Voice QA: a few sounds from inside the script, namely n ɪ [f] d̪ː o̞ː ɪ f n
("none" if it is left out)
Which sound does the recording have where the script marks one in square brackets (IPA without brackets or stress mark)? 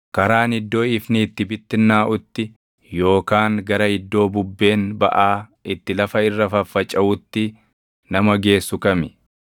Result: none